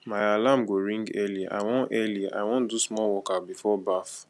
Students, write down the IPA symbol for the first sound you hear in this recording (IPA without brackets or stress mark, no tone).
m